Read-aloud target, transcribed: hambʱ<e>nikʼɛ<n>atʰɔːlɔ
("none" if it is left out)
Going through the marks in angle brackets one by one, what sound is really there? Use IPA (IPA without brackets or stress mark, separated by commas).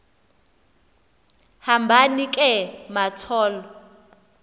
a, m